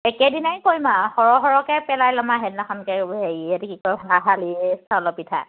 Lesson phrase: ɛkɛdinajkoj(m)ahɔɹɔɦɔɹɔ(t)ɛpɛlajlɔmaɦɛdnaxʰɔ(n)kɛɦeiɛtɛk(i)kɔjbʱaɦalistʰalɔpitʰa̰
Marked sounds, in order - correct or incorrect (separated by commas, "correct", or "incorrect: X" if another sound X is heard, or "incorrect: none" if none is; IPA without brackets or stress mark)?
correct, incorrect: k, correct, correct